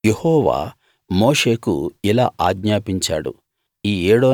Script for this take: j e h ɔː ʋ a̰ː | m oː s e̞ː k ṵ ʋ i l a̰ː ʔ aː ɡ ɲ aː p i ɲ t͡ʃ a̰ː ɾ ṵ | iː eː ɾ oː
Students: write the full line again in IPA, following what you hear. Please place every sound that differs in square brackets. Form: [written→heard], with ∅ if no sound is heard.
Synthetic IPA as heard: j e h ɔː ʋ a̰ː | m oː [s→ʂ] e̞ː k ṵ [ʋ→∅] i l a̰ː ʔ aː ɡ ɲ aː p i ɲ t͡ʃ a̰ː [ɾ→ɽ] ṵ | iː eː [ɾ→ɽ] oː

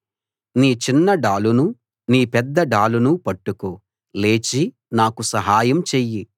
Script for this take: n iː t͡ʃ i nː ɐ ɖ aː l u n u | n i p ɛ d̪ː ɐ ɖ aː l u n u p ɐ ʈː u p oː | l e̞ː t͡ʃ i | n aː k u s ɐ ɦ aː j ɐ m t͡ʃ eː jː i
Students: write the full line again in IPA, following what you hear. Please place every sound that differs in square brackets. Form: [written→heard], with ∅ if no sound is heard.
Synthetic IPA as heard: n iː t͡ʃ i nː ɐ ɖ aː l u n u | n [i→iː] p ɛ d̪ː ɐ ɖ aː l u n u p ɐ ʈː u [p→k] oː | l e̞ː t͡ʃ i | n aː k u s ɐ ɦ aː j ɐ m t͡ʃ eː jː i

